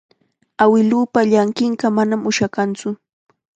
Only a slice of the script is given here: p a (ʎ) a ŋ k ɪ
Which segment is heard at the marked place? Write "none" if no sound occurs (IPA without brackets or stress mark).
ʎ